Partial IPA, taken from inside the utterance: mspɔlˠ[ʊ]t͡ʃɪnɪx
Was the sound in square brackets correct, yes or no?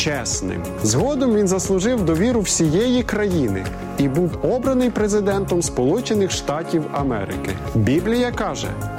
no